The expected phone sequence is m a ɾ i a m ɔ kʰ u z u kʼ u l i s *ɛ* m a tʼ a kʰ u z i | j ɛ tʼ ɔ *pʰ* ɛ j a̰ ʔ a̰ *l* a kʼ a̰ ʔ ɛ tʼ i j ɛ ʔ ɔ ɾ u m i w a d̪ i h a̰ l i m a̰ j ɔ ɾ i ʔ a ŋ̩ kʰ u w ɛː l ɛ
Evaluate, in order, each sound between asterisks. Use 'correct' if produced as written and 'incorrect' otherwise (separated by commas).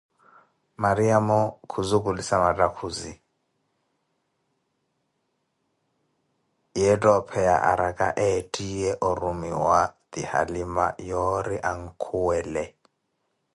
incorrect, correct, incorrect